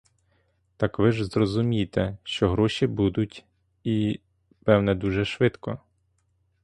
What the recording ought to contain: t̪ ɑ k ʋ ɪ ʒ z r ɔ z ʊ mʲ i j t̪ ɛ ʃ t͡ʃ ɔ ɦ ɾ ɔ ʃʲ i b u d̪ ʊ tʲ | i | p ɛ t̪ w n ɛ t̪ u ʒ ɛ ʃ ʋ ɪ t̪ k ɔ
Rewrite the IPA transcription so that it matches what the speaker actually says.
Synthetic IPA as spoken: t̪ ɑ k ʋ ɪ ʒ z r ɔ z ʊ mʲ i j t̪ ɛ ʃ t͡ʃ ɔ ɦ ɾ ɔ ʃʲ i b u d̪ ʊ tʲ | i | p ɛ w n ɛ d̪ u ʒ ɛ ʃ ʋ ɪ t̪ k ɔ